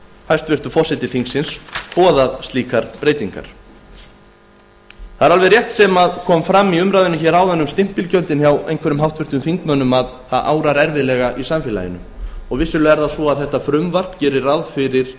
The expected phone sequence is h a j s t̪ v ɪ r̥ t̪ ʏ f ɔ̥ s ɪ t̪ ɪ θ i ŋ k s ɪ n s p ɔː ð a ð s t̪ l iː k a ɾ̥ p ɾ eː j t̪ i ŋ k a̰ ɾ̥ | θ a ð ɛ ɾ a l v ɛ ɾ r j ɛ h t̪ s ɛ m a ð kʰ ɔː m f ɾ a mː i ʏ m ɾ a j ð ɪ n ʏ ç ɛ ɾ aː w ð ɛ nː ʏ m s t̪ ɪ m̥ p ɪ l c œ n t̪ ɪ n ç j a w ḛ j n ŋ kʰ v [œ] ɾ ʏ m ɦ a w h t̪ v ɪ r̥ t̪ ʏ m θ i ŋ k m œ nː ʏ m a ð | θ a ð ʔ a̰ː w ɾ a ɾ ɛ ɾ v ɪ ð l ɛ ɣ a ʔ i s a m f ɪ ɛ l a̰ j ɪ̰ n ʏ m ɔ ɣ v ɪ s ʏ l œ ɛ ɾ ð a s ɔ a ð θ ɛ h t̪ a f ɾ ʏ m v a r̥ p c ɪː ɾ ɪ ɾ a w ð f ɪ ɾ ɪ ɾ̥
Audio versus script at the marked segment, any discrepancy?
yes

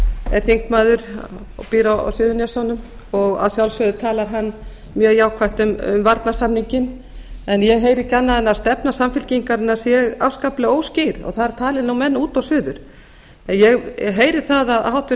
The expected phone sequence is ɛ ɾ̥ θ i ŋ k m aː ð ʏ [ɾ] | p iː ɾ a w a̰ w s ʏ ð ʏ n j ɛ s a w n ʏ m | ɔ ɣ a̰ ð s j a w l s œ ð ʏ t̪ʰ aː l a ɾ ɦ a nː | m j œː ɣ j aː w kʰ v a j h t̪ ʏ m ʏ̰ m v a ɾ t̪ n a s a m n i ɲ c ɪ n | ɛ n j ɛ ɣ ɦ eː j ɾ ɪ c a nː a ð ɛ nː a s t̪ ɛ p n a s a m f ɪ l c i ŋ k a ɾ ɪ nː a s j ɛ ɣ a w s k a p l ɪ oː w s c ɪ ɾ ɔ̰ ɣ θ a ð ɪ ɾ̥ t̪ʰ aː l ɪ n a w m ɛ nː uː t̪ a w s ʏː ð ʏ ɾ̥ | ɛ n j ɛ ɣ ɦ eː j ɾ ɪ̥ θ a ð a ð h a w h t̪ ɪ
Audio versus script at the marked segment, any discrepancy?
no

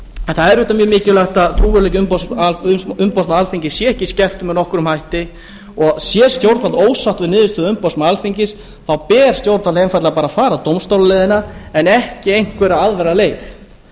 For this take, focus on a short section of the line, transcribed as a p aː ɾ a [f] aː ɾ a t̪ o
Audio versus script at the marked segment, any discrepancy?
no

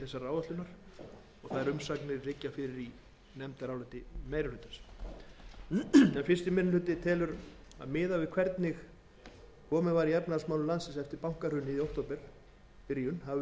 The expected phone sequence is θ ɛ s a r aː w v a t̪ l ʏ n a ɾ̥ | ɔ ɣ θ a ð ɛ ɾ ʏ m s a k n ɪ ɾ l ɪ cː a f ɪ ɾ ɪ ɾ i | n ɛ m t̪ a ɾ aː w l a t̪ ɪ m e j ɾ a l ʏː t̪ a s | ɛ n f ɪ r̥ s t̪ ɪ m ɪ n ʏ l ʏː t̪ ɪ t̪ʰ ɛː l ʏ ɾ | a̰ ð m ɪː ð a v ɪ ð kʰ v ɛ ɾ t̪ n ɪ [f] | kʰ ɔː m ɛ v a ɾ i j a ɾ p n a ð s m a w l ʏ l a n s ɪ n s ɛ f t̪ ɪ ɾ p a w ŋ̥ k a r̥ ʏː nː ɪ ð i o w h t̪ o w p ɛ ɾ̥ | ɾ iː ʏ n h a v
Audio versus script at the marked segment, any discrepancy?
yes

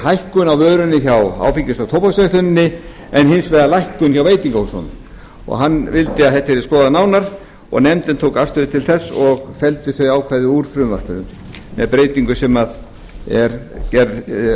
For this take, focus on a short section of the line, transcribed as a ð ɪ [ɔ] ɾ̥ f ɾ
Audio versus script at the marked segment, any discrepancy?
yes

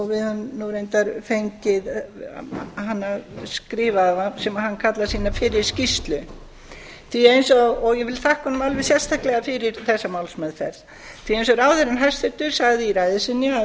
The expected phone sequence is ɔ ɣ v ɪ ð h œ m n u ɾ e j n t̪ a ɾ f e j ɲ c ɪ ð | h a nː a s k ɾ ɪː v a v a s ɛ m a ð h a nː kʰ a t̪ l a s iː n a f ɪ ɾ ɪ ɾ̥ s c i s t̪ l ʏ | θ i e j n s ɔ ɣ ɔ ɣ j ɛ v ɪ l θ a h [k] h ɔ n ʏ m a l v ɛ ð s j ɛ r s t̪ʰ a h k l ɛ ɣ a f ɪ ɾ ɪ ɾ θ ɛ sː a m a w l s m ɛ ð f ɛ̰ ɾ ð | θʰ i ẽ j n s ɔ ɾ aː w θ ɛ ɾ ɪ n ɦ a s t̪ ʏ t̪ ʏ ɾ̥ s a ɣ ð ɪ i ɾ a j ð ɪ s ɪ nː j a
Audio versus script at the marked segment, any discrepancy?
no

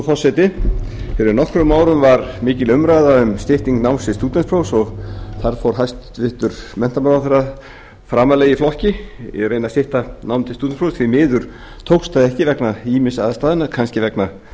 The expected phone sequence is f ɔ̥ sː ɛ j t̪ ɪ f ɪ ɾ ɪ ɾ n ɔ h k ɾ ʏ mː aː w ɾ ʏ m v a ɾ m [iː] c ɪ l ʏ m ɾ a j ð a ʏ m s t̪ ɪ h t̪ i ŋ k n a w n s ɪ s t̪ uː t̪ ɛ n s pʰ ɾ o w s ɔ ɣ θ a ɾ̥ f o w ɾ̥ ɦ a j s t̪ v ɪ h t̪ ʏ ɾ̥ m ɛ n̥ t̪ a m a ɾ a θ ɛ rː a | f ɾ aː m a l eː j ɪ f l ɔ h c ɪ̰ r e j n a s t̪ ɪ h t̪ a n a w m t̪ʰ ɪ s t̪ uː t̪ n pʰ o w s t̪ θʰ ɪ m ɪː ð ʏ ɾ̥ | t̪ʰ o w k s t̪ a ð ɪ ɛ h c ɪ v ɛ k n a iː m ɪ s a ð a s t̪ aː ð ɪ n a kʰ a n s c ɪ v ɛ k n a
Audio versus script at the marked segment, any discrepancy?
yes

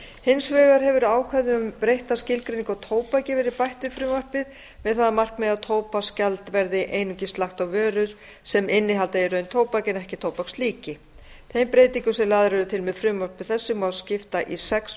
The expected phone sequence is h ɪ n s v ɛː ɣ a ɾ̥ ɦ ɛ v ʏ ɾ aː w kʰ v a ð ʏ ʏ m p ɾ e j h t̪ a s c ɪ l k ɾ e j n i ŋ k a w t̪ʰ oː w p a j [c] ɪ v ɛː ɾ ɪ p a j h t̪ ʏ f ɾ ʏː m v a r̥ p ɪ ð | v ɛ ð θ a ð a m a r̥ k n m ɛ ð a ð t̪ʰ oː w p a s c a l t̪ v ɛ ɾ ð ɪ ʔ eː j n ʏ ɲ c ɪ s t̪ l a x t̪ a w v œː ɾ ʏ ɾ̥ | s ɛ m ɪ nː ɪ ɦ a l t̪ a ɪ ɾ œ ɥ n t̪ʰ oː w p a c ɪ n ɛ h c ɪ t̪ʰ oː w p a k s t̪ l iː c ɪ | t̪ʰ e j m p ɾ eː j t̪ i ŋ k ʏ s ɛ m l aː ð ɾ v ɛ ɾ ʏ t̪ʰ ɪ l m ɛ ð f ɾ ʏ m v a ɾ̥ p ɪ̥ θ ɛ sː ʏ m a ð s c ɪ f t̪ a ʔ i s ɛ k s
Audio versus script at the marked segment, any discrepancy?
no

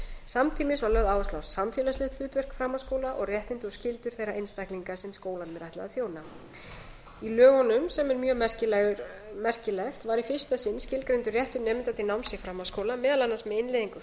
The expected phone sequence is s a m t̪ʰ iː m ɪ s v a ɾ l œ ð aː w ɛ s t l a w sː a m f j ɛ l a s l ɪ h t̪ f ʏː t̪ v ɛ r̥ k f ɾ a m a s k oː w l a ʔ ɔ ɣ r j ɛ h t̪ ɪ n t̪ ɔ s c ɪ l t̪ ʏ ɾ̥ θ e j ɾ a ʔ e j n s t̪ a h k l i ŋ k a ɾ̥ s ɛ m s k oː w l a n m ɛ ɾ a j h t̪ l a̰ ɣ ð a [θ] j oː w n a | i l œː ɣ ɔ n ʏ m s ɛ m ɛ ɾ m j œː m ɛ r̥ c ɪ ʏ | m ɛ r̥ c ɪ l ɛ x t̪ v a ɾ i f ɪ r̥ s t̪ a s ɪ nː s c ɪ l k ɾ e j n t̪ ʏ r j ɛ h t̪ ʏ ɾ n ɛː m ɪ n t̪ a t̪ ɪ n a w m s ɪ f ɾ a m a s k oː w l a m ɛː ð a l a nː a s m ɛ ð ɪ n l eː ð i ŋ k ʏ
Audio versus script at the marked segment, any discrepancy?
no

